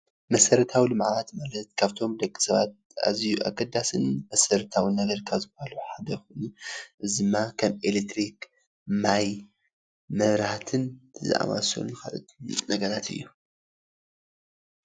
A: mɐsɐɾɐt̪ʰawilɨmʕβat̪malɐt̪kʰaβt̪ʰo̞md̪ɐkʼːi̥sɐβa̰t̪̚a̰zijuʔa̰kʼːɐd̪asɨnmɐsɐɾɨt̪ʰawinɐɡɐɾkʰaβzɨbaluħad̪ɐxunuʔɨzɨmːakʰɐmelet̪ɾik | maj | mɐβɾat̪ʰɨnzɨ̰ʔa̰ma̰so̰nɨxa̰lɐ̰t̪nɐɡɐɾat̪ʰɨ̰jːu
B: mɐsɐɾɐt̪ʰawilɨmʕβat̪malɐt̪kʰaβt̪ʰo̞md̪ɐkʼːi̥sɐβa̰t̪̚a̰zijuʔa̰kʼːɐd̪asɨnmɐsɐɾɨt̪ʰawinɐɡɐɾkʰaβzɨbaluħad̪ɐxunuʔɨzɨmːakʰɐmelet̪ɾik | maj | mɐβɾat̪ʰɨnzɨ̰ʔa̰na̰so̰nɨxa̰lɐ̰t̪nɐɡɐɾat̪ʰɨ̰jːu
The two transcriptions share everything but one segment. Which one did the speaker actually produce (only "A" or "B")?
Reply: A